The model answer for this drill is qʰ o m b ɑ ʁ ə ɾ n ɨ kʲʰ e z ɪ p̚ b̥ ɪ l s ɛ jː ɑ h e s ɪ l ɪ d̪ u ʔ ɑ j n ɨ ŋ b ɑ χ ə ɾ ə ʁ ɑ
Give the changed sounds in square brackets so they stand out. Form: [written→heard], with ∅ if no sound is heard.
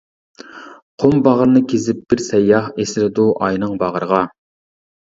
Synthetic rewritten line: qʰ o m b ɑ ʁ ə ɾ n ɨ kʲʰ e z ɪ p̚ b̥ ɪ [l→ɾ] s ɛ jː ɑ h e s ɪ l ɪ d̪ u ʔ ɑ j n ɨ ŋ b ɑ [χ→ʁ] ə ɾ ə ʁ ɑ